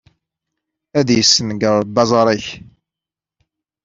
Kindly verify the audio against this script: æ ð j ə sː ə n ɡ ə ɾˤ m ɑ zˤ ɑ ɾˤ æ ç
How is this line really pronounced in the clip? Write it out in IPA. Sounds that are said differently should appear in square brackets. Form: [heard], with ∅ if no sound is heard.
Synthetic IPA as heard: æ ð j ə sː ə n ɡ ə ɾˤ [b] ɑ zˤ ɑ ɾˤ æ ç

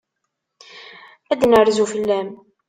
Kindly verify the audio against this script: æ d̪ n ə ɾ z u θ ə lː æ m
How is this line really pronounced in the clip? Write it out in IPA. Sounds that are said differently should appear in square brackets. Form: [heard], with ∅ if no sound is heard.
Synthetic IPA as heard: æ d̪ n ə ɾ z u [f] ə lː æ m

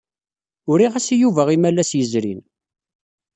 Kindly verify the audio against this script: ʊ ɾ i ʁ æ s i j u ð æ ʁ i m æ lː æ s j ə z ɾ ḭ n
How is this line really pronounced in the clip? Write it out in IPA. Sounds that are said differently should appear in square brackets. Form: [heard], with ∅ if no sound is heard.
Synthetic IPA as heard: ʊ ɾ i ʁ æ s i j u [v] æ ʁ i m æ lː æ s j ə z ɾ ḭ n

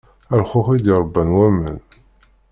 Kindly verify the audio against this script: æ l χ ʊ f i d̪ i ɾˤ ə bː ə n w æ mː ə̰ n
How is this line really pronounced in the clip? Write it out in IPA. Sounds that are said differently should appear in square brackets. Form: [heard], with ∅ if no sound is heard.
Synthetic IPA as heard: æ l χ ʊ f i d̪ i ɾˤ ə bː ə n w æ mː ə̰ n

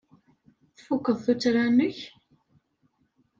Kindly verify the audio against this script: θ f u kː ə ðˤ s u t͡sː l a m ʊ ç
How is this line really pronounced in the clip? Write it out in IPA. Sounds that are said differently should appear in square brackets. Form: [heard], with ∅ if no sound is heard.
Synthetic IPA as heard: θ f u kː ə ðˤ [θ] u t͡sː [ɾ] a [n] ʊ ç

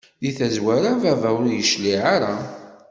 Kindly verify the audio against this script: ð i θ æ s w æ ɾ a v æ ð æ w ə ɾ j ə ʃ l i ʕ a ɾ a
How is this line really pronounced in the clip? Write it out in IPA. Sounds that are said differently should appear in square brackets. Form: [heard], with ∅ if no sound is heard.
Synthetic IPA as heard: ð i θ æ [z] w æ ɾ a v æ [v] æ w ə ɾ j ə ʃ l i ʕ a ɾ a

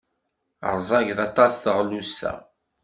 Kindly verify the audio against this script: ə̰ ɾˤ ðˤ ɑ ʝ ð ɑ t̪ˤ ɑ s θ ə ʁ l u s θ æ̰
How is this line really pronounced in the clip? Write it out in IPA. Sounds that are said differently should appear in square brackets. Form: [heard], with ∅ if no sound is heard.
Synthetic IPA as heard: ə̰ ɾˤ [zˤ] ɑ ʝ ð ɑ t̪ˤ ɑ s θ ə ʁ l u s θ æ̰

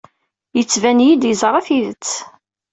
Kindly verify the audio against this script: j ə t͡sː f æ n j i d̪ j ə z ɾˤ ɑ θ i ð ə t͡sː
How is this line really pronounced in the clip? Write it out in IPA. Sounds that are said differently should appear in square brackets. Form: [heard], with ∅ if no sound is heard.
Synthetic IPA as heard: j ə t͡sː [v] æ n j i d̪ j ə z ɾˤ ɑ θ i ð ə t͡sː

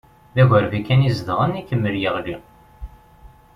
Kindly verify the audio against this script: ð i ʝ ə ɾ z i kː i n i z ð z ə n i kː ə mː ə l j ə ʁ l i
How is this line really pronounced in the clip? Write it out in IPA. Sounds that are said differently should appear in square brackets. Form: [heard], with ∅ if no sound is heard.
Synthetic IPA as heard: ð [æ] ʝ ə ɾ [v] i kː [æ] n i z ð [ʁ] ə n i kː ə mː ə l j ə ʁ l i

